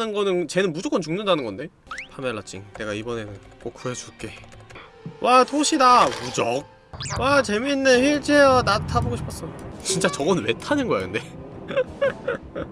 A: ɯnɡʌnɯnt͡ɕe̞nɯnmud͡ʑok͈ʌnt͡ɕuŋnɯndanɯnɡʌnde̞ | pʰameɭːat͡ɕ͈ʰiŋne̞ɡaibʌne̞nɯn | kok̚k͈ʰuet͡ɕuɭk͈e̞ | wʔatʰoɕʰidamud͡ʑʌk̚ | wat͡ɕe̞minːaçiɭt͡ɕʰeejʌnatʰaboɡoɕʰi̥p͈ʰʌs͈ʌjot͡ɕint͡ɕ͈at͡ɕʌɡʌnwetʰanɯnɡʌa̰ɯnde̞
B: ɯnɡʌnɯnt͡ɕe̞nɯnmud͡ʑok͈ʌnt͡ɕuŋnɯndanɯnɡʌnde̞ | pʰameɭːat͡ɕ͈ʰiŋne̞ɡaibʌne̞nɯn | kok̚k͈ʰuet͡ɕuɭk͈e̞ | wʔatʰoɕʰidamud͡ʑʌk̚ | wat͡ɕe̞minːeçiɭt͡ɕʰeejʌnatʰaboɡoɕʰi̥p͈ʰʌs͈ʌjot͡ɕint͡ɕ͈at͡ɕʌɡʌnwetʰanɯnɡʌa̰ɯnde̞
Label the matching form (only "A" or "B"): B